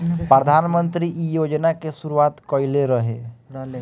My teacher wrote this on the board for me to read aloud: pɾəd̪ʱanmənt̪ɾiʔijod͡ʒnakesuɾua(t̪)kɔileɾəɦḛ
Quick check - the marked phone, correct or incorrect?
correct